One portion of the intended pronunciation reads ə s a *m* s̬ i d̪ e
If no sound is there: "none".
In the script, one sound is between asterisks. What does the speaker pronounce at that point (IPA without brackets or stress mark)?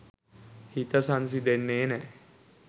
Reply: n